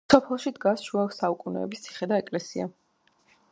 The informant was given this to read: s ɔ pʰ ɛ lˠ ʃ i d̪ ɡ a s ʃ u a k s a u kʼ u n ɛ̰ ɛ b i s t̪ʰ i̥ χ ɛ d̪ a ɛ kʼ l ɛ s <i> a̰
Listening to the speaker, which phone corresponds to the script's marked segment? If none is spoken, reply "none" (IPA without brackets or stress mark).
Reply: i